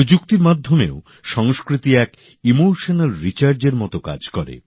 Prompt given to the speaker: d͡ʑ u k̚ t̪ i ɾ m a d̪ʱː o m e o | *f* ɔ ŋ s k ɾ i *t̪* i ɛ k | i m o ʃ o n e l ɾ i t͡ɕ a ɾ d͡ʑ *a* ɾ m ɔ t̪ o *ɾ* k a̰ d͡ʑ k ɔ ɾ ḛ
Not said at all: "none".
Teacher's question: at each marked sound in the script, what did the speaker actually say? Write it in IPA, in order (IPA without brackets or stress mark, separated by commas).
ʃ, t̪, e, none